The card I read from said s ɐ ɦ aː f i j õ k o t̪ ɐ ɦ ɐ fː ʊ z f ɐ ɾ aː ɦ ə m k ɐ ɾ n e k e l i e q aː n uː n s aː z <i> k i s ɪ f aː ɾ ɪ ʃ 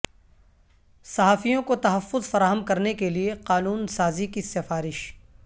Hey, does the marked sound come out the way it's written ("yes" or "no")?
yes